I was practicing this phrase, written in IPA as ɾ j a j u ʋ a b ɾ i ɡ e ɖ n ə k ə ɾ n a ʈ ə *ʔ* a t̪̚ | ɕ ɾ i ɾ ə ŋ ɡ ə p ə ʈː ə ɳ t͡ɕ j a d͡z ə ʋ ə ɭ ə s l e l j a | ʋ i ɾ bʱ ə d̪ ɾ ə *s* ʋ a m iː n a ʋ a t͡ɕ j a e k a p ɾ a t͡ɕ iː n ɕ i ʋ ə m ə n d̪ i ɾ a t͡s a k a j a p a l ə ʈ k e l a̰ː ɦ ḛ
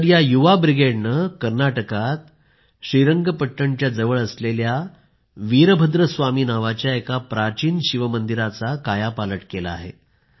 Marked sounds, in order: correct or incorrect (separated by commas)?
incorrect, correct